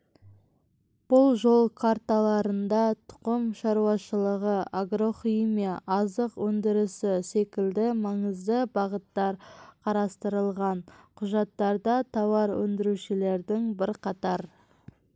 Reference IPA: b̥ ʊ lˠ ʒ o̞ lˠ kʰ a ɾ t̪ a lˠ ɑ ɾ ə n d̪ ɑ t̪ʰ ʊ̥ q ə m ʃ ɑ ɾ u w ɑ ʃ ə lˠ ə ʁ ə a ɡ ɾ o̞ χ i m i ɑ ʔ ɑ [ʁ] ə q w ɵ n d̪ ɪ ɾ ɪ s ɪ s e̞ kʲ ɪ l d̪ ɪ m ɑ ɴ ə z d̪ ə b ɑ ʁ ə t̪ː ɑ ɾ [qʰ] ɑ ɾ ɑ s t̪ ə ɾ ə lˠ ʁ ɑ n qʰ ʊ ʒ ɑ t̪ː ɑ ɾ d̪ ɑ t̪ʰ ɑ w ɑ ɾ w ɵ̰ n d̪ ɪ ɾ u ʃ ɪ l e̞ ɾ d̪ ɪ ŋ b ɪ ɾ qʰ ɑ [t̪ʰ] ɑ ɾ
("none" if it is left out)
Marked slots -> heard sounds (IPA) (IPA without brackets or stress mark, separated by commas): z, qʰ, t̪